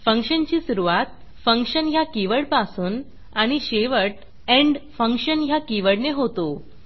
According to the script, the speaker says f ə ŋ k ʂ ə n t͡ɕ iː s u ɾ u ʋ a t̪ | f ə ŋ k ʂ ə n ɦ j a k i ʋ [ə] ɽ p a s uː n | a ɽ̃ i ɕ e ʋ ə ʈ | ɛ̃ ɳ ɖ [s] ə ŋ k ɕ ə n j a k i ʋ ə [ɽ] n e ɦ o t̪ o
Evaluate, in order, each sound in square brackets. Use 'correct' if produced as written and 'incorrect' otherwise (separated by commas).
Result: correct, incorrect, correct